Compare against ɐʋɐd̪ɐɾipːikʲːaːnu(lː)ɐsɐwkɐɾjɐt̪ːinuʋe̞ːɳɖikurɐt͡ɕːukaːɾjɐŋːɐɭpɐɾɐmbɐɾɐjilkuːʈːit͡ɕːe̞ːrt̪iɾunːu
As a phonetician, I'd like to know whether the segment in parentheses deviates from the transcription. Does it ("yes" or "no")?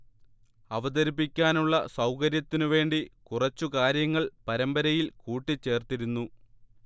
yes